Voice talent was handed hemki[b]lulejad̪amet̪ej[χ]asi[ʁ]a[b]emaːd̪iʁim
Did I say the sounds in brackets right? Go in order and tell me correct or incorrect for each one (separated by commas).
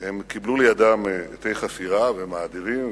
correct, correct, correct, incorrect